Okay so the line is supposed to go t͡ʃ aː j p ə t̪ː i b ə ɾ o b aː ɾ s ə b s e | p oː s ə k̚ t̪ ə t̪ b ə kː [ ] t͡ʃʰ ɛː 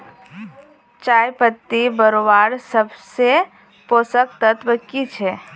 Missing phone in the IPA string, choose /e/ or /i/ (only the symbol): i